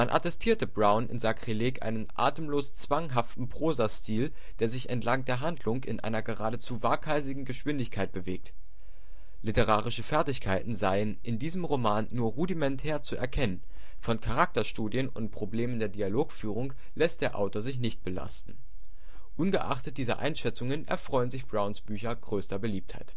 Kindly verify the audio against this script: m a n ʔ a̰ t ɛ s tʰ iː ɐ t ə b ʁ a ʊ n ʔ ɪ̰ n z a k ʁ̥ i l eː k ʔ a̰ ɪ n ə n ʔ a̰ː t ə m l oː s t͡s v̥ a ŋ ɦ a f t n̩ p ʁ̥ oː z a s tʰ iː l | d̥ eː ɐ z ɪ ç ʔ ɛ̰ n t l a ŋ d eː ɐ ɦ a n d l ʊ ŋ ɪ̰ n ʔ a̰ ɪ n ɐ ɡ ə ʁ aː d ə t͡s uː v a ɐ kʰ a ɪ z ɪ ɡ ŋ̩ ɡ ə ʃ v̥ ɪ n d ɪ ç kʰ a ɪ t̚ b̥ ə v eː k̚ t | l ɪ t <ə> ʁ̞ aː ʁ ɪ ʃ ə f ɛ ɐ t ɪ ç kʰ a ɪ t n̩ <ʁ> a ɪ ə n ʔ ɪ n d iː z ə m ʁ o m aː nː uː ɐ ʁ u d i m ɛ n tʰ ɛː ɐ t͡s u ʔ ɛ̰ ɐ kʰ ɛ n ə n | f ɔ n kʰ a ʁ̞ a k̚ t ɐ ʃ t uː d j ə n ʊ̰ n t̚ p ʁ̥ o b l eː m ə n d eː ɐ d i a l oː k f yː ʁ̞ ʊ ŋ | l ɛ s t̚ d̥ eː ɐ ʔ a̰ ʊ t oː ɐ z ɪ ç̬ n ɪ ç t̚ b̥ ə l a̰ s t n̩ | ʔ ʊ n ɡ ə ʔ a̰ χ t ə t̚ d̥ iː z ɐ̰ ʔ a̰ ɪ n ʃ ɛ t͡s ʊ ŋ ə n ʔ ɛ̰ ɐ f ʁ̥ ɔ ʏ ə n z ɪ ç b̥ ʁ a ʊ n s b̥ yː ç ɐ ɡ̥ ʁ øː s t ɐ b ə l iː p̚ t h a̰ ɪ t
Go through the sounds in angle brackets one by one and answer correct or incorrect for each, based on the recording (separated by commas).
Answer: correct, incorrect